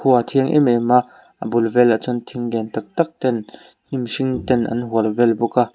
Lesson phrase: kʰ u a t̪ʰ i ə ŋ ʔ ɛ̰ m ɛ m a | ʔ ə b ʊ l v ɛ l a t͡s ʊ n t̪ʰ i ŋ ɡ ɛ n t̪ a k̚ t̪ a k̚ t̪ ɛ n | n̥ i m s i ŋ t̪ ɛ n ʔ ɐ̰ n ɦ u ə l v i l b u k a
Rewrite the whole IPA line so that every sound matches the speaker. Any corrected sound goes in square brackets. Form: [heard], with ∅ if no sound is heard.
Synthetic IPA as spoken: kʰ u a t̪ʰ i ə ŋ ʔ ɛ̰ m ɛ m a | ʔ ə b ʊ l v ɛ l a t͡s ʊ n t̪ʰ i ŋ ɡ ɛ n t̪ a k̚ t̪ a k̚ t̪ ɛ n | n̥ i m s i ŋ t̪ ɛ n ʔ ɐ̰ n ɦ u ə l v [ɛ] l b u k a